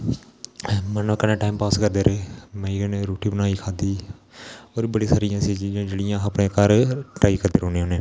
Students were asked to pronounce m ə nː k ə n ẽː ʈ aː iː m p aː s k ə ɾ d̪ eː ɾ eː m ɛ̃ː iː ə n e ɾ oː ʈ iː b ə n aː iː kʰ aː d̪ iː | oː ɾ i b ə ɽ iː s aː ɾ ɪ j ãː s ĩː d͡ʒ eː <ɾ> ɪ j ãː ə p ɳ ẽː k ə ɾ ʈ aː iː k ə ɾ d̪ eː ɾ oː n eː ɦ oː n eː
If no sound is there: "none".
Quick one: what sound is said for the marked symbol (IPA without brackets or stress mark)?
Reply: ɽ